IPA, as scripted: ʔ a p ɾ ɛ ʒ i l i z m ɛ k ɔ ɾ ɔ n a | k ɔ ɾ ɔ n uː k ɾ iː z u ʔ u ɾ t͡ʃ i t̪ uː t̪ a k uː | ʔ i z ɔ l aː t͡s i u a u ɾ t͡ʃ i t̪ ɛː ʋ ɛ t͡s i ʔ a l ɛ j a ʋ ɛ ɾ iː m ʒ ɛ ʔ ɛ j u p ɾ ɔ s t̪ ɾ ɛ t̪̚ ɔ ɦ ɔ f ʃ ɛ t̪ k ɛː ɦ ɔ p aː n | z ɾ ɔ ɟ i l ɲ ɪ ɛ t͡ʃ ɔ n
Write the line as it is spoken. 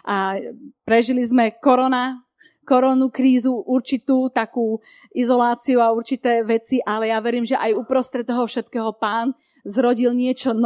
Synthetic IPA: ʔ a p ɾ ɛ ʒ i l i z m ɛ k ɔ ɾ ɔ n a | k ɔ ɾ ɔ n u k ɾ iː z u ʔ u ɾ t͡ʃ i t̪ uː t̪ a k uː | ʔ i z ɔ l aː t͡s i u a u ɾ t͡ʃ i t̪ ɛː ʋ ɛ t͡s i ʔ a l ɛ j a ʋ ɛ ɾ iː m ʒ ɛ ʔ a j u p ɾ ɔ s t̪ ɾ ɛ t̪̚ ɔ ɦ ɔ f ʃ ɛ t̪ k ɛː ɦ ɔ p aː n | z ɾ ɔ ɟ i l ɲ ɪ ɛ t͡ʃ ɔ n